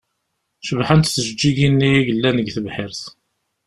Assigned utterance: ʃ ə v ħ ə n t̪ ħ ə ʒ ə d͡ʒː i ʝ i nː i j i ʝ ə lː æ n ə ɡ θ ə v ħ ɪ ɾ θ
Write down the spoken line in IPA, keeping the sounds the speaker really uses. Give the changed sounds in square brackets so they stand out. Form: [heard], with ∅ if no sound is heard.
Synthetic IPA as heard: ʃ ə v ħ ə n t̪ [θ] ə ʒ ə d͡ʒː i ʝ i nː i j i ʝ ə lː æ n ə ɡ θ ə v ħ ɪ ɾ θ